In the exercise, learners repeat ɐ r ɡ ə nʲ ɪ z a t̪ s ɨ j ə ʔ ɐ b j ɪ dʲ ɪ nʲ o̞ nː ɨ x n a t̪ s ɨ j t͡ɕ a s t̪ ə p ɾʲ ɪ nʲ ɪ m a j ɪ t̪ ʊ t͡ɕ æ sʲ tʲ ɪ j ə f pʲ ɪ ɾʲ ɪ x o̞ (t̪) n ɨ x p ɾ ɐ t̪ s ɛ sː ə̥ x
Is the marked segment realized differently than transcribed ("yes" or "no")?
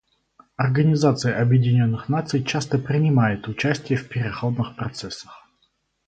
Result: yes